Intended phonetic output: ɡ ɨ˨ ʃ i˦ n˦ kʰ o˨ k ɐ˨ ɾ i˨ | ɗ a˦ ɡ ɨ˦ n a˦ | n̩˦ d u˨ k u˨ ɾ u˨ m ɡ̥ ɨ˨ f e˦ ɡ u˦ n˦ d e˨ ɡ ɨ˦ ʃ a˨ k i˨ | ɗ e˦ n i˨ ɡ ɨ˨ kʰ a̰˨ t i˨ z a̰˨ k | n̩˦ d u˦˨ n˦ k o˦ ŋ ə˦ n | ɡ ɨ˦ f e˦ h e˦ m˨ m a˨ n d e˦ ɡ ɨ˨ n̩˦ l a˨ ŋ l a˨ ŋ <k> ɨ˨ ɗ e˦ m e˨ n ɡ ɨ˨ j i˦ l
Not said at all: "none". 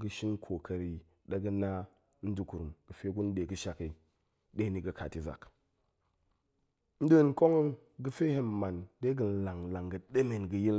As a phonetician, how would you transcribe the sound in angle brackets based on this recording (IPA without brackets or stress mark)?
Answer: ɡ